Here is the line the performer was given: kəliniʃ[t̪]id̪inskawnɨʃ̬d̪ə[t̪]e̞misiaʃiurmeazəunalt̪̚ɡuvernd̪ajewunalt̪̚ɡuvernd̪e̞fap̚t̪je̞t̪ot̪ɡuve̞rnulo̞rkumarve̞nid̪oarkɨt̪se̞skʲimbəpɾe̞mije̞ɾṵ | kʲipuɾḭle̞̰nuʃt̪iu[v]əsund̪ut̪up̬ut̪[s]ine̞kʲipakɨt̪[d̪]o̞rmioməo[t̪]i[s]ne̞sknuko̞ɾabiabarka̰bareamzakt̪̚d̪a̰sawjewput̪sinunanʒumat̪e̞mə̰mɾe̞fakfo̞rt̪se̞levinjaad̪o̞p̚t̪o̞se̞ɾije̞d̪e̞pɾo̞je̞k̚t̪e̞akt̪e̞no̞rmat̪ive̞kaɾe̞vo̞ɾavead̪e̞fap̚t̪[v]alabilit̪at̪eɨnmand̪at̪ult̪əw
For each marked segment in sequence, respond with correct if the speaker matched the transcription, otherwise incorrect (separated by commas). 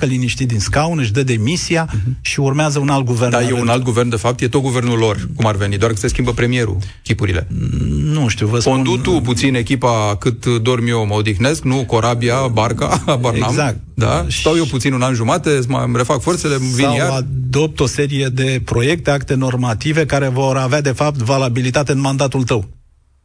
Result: correct, incorrect, correct, correct, correct, incorrect, incorrect, correct